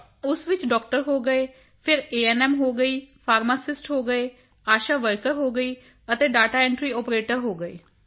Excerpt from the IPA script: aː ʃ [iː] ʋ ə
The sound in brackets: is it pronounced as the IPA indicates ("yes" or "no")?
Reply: no